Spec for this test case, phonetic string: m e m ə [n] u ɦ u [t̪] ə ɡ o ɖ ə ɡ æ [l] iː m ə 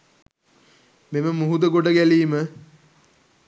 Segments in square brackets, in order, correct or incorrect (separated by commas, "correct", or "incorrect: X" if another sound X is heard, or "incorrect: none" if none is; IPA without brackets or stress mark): incorrect: m, incorrect: d̪, correct